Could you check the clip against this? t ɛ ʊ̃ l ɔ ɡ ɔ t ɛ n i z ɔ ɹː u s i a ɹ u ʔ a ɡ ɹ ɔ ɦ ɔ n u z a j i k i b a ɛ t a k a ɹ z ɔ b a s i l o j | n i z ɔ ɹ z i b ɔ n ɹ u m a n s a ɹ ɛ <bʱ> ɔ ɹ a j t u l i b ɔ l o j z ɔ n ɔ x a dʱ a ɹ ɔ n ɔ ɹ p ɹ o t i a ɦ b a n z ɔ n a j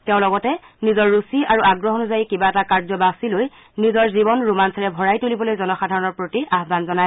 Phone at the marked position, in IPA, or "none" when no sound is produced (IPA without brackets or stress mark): bʱ